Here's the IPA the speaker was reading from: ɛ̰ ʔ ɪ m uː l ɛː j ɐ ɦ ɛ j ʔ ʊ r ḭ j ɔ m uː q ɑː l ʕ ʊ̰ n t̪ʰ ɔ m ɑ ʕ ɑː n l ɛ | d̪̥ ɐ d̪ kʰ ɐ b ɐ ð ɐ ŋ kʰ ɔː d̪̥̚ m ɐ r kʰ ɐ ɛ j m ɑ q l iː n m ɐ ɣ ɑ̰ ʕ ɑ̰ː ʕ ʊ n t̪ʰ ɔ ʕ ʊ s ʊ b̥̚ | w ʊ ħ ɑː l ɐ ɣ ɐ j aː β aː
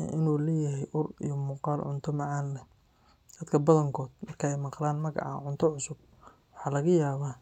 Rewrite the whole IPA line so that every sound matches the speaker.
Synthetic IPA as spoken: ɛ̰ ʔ ɪ n uː l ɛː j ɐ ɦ ɛ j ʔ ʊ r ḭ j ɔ m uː q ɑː l ʕ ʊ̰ n t̪ʰ ɔ m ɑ ʕ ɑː n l ɛ | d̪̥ ɐ d̪ kʰ ɐ b ɐ ð ɐ ŋ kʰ ɔː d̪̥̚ m ɐ r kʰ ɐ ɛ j m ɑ q l aː n m ɐ ɣ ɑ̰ ʕ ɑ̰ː ʕ ʊ n t̪ʰ ɔ ʕ ʊ s ʊ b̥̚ | w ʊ ħ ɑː l ɐ ɣ ɐ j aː β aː

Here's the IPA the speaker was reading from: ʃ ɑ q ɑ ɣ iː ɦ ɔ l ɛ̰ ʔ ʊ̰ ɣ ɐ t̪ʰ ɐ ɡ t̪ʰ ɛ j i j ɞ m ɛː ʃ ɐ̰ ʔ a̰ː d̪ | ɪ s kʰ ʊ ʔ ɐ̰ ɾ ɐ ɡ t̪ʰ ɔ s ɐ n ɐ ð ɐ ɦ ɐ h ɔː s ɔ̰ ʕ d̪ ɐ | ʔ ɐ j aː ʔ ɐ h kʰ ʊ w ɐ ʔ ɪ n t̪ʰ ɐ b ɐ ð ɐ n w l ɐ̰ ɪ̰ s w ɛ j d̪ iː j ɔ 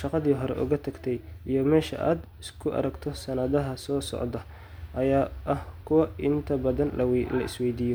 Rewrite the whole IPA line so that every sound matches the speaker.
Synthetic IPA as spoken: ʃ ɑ q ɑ ð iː ɦ ɔ ɾ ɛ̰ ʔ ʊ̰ ɣ ɐ t̪ʰ ɐ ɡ t̪ʰ ɛ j i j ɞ m ɛː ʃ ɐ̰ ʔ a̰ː d̪ | ɪ s kʰ ʊ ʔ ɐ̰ ɾ ɐ ɡ t̪ʰ ɔ s ɐ n ɐ ð ɐ ɦ ɐ s ɔː s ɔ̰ ʕ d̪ ɐ | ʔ ɐ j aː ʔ ɐ h kʰ ʊ w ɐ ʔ ɪ n t̪ʰ ɐ b ɐ ð ɐ n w l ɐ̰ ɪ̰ s w ɛ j d̪ iː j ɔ

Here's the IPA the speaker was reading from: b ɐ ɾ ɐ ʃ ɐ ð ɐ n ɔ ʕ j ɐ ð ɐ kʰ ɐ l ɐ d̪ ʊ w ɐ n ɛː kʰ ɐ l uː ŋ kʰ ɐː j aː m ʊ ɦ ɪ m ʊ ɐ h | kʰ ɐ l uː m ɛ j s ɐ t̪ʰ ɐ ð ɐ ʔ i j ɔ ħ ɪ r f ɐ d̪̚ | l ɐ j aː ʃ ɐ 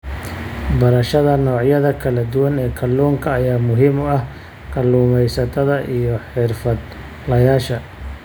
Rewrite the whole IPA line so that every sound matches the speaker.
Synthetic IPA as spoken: b ɐ ɾ ɐ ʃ ɐ ð ɐ n ɔː ʕ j ɐ ð ɐ kʰ ɐ l ɐ d̪ ʊ w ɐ n ɛː kʰ ɐ l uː ŋ kʰ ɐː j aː m ʊ ɦ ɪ m ʊ ɐ h | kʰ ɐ l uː m ɛ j s ɐ t̪ʰ ɐ ð ɐ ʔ i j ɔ ħ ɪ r f ɐ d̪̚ | l ɐ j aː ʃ ɐ

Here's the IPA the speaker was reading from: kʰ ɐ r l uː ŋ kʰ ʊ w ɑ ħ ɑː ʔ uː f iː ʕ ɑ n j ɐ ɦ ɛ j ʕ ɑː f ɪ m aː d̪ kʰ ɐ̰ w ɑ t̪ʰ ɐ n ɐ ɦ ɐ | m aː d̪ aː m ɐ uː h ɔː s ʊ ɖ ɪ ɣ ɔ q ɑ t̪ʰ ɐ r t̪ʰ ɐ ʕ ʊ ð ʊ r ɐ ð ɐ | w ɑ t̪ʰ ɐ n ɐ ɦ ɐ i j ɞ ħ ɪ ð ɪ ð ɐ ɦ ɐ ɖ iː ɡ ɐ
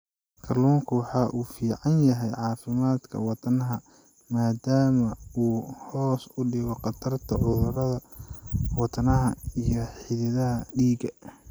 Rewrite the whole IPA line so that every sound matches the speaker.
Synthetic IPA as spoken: kʰ ɐ r l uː ŋ kʰ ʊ w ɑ ħ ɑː ʔ uː f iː ʕ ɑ n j ɐ ɦ ɛ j ʕ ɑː f ɪ m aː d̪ kʰ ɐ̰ w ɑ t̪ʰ ɐ n ɐ ɦ ɐ | m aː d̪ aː m ɐ uː h ɔː s ʊ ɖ ɪ ɣ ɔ q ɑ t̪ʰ ɐ r t̪ʰ ɐ ʕ ʊ ð ʊ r ɐ ð ɐ | w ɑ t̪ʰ ɐ n ɐ ɦ ɐ i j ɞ ħ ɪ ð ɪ ð ɐ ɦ ɐ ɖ iː ɡ ɐ

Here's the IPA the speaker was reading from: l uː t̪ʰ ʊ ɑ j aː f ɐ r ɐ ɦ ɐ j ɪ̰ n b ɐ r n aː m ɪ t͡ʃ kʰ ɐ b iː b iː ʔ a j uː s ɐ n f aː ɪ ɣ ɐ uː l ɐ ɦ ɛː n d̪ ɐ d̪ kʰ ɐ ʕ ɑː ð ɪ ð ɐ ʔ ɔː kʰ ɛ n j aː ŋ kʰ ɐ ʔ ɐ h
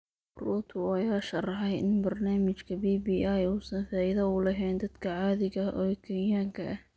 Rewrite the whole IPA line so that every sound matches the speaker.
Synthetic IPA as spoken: r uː t̪ʰ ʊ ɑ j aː ʃ ɐ r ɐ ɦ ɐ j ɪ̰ n b ɐ r n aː m ɪ t͡ʃ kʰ ɐ b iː b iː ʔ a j uː s ɐ n f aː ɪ ð ɐ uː l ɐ ɦ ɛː n d̪ ɐ d̪ kʰ ɐ ʕ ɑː ð ɪ ɣ ɐ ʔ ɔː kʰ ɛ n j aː ŋ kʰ ɐ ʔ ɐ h

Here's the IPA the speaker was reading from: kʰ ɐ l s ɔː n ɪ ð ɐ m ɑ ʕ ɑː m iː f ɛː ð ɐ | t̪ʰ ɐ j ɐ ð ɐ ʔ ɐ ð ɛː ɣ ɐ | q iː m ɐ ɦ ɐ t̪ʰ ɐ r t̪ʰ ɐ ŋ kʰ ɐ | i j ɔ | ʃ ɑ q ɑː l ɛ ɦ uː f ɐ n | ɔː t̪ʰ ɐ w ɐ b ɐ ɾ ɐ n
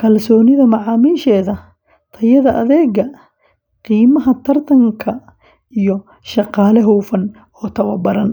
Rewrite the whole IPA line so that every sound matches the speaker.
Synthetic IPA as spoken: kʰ ɐ l s ɔː n ɪ ð ɐ m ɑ ʕ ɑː m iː ʃ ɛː ð ɐ | t̪ʰ ɐ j ɐ ð ɐ ʔ ɐ ð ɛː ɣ ɐ | q iː m ɐ ɦ ɐ t̪ʰ ɐ r t̪ʰ ɐ ŋ kʰ ɐ | i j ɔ | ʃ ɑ q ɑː l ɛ ɦ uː f ɐ n | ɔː t̪ʰ ɐ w ɐ b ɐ ɾ ɐ n

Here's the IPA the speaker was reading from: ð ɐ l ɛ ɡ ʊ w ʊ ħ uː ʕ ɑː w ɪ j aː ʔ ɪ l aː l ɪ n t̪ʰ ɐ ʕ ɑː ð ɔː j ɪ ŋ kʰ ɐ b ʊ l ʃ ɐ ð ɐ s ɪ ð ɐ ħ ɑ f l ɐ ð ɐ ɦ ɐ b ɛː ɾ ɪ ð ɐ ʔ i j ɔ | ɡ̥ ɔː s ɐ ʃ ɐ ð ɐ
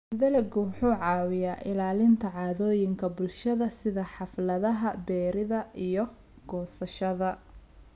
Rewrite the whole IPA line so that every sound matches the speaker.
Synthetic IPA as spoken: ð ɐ l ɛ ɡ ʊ w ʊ ħ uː ʕ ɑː w ɪ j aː ʔ ɪ l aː l ɪ n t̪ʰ ɐ ʕ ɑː ð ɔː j ɪ ŋ kʰ ɐ b ʊ l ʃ ɐ ð ɐ s ɪ ð ɐ ħ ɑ f l ɐ ð ɐ ɦ ɐ b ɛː ɾ ɪ ð ɐ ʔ i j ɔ | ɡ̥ ɔː s ɐ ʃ ɐ ð ɐ

